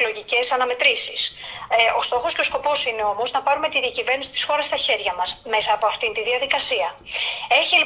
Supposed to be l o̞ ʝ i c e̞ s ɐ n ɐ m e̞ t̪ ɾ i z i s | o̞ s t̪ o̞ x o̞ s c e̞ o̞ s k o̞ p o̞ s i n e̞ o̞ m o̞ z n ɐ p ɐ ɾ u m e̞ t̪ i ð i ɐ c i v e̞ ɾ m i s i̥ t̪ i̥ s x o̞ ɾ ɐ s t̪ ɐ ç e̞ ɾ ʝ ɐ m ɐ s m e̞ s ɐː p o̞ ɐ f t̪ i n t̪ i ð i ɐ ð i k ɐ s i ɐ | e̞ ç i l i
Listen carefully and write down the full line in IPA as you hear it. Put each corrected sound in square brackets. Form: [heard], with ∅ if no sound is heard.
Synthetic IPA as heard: l o̞ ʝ i c e̞ s ɐ n ɐ m e̞ t̪ ɾ i [s] i s | o̞ s t̪ o̞ x o̞ s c e̞ o̞ s k o̞ p o̞ s i n e̞ o̞ m o̞ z n ɐ p ɐ ɾ u m e̞ t̪ i ð i ɐ c i v e̞ ɾ [n] i s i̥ t̪ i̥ s x o̞ ɾ ɐ s t̪ ɐ ç e̞ ɾ ʝ ɐ m ɐ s m e̞ s ɐː p o̞ ɐ f t̪ i n t̪ i ð i ɐ ð i k ɐ s i ɐ | e̞ ç i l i